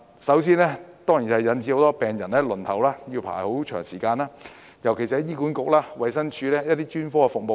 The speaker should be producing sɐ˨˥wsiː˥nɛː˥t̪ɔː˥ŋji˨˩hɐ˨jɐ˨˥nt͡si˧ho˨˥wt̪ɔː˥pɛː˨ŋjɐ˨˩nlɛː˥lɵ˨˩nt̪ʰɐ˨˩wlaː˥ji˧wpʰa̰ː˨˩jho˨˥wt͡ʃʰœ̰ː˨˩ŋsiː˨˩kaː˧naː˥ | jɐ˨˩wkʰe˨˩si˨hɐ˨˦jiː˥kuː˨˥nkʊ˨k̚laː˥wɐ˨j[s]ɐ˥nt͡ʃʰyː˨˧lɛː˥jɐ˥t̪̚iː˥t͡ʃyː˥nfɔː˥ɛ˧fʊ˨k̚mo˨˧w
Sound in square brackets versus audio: correct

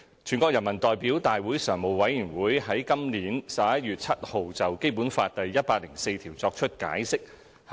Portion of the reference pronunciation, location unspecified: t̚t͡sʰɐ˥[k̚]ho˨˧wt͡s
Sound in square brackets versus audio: incorrect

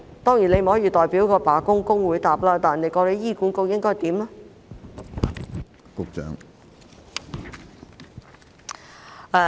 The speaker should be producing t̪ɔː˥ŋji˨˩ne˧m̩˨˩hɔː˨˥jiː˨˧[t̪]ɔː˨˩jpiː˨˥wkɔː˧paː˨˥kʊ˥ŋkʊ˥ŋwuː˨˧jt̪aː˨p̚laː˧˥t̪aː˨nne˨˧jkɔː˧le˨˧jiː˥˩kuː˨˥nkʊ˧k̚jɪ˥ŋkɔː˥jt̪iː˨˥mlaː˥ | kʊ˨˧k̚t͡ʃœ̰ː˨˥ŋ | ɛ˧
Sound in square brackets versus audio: correct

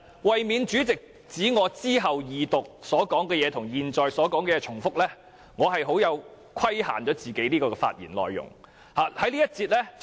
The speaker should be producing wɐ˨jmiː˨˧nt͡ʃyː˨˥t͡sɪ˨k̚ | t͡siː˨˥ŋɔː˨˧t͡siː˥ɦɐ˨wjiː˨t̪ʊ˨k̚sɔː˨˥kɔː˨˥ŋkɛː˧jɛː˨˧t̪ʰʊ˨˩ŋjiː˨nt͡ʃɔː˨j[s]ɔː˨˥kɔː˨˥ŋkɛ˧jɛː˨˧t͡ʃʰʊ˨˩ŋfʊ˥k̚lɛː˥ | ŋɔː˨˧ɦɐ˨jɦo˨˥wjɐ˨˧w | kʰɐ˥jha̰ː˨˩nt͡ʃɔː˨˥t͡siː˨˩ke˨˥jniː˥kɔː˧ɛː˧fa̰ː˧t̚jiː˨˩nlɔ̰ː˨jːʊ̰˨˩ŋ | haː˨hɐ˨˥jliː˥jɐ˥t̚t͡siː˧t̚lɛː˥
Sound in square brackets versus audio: correct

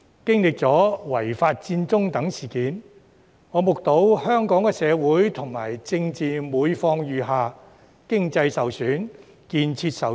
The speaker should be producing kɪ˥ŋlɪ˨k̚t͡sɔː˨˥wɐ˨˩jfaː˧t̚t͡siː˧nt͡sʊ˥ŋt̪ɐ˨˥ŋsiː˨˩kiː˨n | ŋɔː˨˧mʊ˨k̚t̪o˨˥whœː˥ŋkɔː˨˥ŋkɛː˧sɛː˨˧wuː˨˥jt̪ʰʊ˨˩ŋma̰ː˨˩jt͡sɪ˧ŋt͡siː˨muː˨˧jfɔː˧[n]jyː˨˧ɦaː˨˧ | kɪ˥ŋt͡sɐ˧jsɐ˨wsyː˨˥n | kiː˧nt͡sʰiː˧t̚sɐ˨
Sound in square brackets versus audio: incorrect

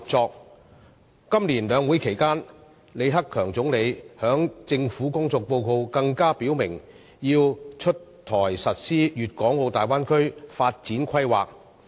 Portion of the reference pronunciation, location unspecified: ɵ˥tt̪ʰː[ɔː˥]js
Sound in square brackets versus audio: incorrect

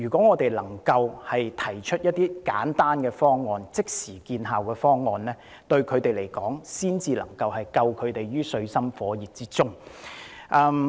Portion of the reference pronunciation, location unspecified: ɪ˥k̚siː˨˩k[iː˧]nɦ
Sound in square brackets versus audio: correct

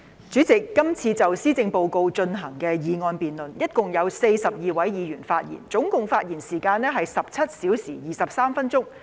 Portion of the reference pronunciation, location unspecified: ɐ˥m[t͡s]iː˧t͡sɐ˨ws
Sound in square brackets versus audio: incorrect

